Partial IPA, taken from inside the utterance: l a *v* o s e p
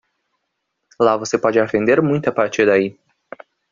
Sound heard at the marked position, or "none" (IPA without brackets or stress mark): v